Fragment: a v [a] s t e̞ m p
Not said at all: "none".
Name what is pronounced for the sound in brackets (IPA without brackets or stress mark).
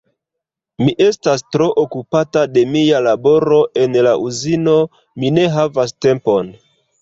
a